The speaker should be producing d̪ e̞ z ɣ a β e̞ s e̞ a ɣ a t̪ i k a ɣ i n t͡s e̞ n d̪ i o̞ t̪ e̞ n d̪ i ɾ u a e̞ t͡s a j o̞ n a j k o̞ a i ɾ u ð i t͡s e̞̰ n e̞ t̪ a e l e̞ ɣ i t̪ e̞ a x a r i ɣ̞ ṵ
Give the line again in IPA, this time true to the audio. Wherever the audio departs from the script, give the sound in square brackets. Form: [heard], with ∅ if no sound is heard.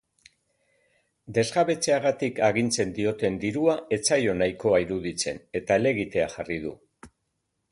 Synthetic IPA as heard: d̪ e̞ z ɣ a β e̞ [t͡s] e̞ a ɣ a t̪ i k a ɣ i n t͡s e̞ n d̪ i o̞ t̪ e̞ n d̪ i ɾ u a e̞ t͡s a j o̞ n a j k o̞ a i ɾ u ð i t͡s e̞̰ n e̞ t̪ a e l e̞ ɣ i t̪ e̞ a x a r i [ð̞] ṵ